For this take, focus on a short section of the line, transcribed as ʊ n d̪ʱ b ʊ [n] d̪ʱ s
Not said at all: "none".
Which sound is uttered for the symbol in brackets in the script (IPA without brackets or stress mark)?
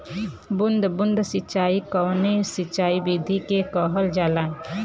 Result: n